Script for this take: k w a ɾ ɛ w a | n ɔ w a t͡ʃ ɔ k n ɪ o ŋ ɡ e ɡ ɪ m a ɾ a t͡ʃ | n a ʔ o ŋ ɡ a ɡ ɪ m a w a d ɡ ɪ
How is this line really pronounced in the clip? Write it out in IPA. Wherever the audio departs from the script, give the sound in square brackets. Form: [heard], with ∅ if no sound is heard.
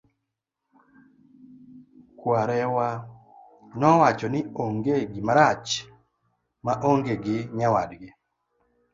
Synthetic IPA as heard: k w a ɾ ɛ w a | n ɔ w a t͡ʃ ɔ [∅] n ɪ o ŋ ɡ e ɡ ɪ m a ɾ a t͡ʃ | [m] a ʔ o ŋ ɡ [e] ɡ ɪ [ɲ] a w a d ɡ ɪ